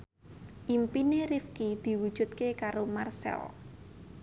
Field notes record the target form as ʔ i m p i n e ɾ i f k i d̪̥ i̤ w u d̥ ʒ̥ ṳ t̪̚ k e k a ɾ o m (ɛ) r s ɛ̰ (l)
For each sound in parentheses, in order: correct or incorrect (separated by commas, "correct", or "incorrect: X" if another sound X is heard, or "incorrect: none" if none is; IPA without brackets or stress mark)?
incorrect: a, correct